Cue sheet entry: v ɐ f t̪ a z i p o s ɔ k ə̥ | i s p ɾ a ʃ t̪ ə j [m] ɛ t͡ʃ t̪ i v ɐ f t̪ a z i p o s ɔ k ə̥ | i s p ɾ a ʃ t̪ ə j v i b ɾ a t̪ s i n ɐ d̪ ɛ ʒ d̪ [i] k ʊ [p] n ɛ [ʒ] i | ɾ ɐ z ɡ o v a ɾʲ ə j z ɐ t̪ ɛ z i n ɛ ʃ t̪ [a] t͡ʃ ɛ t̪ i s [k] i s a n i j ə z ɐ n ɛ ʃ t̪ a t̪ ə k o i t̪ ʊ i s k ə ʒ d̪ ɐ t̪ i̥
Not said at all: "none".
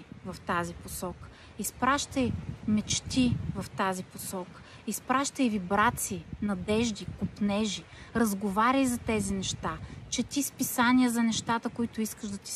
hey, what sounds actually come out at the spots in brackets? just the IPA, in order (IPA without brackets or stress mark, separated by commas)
m, i, p, ʒ, a, p